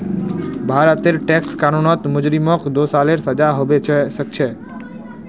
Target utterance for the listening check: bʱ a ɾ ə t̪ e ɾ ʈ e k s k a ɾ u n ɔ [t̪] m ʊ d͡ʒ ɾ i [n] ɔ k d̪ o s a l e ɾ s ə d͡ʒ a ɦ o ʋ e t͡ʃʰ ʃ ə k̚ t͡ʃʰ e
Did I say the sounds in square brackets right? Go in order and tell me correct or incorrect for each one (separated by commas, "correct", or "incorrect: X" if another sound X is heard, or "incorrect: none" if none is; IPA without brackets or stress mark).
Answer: correct, incorrect: m